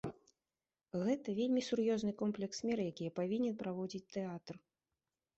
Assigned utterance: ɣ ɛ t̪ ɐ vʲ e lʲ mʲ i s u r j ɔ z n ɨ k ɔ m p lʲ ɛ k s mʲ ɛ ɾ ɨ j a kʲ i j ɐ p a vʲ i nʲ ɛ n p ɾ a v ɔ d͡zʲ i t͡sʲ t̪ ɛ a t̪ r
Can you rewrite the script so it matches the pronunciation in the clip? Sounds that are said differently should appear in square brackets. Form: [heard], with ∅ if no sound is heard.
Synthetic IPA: ɣ ɛ t̪ ɐ vʲ e lʲ mʲ i s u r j ɔ z n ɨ k ɔ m p lʲ ɛ k s mʲ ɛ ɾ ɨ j a kʲ i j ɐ p a vʲ i nʲ ɛ n p ɾ a v ɔ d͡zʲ i t͡sʲ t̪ ɛ a t̪ r